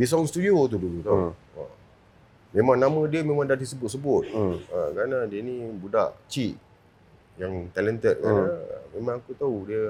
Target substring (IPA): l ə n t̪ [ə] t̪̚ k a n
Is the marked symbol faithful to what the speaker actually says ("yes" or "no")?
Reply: yes